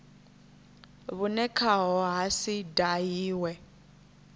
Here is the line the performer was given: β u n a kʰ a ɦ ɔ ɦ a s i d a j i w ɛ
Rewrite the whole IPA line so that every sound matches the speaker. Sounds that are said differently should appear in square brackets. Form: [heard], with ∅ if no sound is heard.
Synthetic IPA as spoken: β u n [ɛ] kʰ a ɦ ɔ ɦ a s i d a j [iː] w ɛ